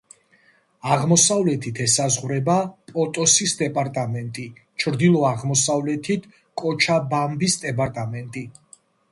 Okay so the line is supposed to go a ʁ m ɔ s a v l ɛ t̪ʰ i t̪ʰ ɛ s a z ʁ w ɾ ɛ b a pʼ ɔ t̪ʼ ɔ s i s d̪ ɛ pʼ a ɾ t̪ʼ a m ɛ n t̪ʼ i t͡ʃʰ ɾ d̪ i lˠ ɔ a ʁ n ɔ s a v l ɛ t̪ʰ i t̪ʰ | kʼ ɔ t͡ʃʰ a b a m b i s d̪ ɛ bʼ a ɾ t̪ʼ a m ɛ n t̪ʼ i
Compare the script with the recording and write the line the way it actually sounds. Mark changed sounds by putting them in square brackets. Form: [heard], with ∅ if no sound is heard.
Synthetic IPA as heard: a ʁ m ɔ s a v l ɛ t̪ʰ i t̪ʰ ɛ s a z ʁ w ɾ ɛ b a pʼ ɔ t̪ʼ ɔ s i s d̪ ɛ pʼ a ɾ t̪ʼ a m ɛ n t̪ʼ i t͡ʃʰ ɾ d̪ i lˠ ɔ a ʁ [m] ɔ s a v l ɛ t̪ʰ i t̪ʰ | kʼ ɔ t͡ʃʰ a b a m b i s d̪ ɛ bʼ a ɾ t̪ʼ a m ɛ n t̪ʼ i